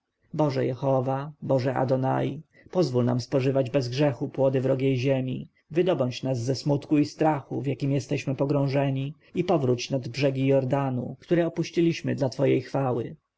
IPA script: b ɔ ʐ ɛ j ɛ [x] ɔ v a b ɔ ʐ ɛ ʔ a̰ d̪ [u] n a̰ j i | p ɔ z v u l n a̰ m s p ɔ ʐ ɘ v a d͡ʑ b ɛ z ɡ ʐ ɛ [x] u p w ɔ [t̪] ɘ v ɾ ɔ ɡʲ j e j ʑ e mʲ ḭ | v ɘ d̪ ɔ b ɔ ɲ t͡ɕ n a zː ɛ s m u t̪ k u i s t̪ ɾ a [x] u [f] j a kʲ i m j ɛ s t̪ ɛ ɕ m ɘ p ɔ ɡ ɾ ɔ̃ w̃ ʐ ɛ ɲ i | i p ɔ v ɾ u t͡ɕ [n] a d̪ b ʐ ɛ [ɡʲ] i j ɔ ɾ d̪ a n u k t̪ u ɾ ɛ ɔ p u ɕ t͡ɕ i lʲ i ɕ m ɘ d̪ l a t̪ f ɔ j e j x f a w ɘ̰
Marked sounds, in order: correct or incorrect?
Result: correct, incorrect, correct, incorrect, correct, incorrect, correct, correct

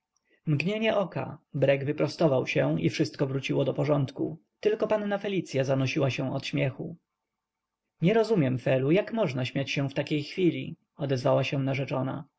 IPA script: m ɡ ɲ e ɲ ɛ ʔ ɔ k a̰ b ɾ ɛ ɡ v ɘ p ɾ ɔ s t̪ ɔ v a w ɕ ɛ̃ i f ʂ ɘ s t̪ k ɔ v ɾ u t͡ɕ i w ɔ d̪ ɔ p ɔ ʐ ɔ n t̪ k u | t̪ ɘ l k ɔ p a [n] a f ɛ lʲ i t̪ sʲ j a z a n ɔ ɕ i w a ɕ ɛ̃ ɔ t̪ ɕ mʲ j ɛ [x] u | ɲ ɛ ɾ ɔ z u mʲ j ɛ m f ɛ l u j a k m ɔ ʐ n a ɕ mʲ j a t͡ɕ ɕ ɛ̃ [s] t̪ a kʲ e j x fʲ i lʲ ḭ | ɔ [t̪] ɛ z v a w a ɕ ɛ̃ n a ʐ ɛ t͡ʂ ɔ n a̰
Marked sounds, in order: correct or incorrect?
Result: incorrect, correct, incorrect, incorrect

